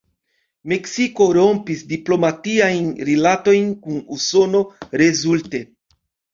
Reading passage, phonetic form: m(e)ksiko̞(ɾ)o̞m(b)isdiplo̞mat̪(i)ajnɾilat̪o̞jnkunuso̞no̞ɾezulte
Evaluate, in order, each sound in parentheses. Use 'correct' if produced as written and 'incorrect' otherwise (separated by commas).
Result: correct, correct, incorrect, correct